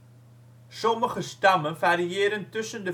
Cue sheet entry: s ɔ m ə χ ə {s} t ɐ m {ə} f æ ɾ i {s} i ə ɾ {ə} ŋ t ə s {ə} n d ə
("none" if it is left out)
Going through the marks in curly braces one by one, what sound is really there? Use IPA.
s, ə, none, ə, ə

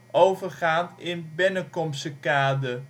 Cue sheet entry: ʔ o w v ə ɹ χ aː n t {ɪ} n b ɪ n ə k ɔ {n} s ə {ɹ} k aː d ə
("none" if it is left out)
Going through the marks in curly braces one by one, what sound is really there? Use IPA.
ɪ, m, none

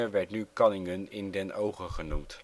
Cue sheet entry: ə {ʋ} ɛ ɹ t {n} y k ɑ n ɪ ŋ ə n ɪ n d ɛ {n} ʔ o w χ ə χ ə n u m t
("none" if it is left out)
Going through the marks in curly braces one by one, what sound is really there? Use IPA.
ʋ, n, n

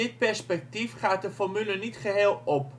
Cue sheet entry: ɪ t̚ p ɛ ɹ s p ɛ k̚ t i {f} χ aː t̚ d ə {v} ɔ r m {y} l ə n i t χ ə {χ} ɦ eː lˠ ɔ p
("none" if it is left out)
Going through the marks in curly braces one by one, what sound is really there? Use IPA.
f, f, y, none

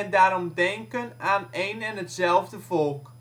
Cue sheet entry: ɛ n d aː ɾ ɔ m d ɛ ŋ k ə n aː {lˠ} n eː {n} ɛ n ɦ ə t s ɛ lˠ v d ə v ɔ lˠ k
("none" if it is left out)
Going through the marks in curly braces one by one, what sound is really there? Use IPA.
none, n

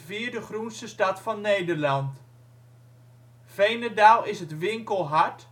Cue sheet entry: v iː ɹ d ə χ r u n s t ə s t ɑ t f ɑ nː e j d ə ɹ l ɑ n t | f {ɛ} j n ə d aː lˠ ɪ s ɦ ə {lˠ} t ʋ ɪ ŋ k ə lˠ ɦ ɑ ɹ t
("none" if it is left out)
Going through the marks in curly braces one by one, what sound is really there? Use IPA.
e, none

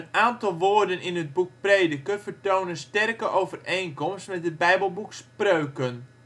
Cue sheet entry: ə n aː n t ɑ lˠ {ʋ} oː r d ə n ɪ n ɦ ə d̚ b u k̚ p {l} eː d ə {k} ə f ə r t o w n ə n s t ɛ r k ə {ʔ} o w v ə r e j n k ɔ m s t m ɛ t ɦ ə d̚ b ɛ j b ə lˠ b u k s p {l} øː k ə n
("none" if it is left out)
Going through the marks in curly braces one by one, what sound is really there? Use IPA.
ʋ, r, k, ʔ, r

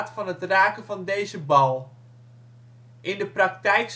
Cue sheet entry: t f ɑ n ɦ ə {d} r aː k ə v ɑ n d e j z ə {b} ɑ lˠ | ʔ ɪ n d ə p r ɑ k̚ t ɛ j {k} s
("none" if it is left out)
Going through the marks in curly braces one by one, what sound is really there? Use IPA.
t, b, k

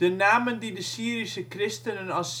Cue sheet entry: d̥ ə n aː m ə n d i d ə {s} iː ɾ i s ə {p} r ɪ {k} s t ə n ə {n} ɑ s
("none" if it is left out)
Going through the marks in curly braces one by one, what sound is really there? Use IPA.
s, k, none, n

